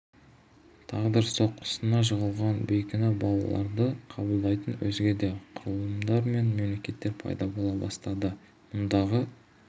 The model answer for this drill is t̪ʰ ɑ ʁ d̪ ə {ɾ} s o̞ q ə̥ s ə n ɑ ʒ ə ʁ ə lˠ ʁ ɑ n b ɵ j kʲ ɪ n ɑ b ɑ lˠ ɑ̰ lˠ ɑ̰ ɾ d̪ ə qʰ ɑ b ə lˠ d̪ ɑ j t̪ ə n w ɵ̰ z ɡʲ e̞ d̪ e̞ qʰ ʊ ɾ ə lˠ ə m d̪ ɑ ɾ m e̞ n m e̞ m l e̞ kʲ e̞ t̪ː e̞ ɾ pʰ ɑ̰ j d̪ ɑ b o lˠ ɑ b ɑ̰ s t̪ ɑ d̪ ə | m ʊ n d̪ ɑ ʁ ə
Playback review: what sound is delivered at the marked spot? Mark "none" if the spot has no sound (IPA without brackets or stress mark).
ɾ